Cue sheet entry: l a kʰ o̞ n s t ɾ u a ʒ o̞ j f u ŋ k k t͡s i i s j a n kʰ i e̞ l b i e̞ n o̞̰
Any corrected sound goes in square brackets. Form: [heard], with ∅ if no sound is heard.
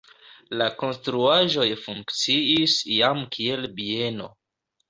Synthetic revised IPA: l a [k] o̞ n s t ɾ u a ʒ o̞ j f u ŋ k k t͡s i i s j a [m] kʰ i e̞ l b i e̞ n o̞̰